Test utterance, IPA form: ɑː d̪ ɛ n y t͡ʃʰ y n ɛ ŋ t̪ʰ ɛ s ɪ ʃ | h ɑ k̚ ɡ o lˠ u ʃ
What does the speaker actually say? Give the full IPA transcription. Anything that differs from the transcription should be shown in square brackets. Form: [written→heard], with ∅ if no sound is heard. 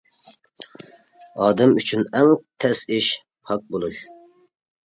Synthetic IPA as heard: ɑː d̪ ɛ [n→m] y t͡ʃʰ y n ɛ ŋ t̪ʰ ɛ s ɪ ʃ | h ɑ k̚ [ɡ→b] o lˠ u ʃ